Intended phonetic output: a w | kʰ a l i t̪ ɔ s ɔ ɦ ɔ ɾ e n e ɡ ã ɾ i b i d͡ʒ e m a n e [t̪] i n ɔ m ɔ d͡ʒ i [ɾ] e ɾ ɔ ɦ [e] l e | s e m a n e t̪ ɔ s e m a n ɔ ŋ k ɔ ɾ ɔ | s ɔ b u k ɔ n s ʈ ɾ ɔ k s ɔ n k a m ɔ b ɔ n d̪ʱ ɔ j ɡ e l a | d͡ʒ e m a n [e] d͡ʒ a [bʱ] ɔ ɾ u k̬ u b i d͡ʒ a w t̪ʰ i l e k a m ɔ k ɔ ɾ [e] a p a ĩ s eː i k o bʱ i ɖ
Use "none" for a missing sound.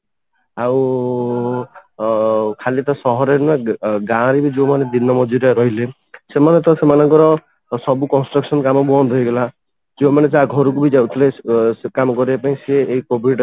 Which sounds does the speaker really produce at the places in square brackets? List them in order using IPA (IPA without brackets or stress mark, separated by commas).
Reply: d̪, ɾ, i, e, ɡʱ, i